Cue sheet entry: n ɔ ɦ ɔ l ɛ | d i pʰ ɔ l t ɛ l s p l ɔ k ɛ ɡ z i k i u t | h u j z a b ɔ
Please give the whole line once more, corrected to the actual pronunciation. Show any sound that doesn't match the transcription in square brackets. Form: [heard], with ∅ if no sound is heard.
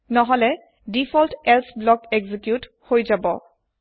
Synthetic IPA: n ɔ ɦ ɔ l ɛ | d i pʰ ɔ l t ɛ l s [b] l ɔ k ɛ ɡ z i k [j] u t | h [o] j z a b ɔ